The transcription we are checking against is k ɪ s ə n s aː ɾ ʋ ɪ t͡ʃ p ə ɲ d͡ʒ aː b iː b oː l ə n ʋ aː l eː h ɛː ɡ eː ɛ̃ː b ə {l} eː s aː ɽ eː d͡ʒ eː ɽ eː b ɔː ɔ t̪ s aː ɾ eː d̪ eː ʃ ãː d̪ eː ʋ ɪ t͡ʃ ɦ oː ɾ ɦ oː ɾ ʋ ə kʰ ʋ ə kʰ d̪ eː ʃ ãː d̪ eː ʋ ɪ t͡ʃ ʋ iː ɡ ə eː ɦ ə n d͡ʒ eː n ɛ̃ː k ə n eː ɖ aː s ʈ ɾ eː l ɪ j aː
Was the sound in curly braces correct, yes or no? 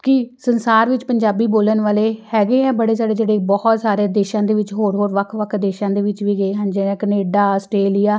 no